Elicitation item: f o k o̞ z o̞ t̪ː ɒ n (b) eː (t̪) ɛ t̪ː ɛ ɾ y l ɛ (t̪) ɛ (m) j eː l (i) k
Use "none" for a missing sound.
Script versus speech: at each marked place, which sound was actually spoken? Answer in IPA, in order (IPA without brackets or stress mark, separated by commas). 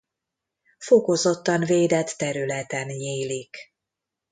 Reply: v, d̪, t̪, n, i